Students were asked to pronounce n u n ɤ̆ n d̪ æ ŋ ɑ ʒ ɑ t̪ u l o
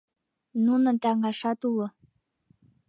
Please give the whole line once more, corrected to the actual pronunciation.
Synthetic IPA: n u n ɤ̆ n t̪ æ ŋ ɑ ʃ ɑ t̪ u l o